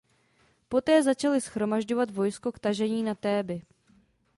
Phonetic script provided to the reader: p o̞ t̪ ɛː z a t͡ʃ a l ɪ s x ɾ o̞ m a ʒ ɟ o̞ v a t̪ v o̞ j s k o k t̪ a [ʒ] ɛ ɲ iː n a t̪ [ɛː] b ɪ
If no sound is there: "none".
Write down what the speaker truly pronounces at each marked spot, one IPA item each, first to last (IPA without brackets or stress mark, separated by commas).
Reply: ʒ, ɛː